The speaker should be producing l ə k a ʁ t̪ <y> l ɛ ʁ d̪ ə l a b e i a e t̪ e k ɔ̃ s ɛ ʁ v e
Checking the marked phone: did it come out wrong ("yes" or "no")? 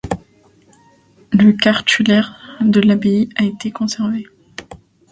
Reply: no